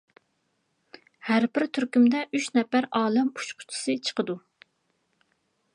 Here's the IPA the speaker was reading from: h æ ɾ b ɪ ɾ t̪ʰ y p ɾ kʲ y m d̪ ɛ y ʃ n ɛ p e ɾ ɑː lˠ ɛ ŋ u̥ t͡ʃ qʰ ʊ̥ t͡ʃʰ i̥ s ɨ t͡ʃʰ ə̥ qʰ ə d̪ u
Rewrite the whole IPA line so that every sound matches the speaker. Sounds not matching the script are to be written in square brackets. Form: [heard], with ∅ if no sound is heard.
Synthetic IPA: h æ ɾ b ɪ ɾ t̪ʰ y [∅] ɾ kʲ y m d̪ ɛ y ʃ n ɛ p [æ] ɾ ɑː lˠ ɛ [m] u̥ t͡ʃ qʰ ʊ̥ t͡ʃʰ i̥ s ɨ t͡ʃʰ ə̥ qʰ ə d̪ u